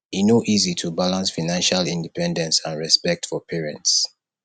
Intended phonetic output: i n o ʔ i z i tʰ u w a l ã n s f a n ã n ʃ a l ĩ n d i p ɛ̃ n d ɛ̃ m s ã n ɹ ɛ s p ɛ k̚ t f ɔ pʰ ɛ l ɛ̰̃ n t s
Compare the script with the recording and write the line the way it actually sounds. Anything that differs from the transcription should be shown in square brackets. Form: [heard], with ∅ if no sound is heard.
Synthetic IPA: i n o ʔ i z i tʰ u [b] a l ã n s f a n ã n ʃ a l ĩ n d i p ɛ̃ n d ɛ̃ [n] s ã n ɹ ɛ s p ɛ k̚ t f ɔ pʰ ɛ [ɹ] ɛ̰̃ n t s